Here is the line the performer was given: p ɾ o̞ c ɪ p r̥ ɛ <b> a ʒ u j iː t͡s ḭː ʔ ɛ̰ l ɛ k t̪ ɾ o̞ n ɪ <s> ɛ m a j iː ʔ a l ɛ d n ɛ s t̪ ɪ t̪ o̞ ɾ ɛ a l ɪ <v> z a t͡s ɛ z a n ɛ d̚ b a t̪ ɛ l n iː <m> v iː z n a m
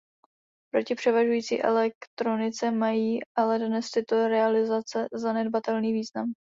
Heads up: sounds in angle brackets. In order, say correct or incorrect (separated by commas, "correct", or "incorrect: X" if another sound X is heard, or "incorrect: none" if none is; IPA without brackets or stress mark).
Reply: incorrect: v, incorrect: t͡s, incorrect: none, incorrect: none